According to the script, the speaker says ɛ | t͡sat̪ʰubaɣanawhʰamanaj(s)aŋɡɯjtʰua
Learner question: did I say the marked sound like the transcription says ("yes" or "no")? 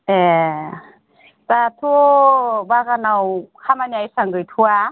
yes